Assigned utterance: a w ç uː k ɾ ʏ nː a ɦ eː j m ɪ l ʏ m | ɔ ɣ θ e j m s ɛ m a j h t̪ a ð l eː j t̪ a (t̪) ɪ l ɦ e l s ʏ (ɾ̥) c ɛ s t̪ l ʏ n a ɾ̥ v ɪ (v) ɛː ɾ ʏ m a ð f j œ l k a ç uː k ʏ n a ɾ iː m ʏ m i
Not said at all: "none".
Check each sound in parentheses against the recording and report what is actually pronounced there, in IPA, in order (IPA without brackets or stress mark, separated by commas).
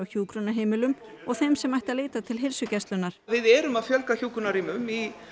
t̪ʰ, none, ð